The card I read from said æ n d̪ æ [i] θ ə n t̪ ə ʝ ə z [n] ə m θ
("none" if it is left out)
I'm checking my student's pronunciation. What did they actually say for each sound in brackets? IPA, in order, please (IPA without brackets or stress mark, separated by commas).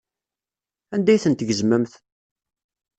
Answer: j, m